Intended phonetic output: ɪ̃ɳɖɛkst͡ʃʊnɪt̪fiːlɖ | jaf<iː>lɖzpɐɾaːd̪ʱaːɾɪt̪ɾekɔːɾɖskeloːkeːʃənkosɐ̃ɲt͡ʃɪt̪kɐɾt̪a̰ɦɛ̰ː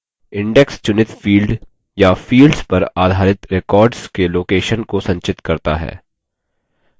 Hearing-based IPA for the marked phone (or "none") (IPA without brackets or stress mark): iː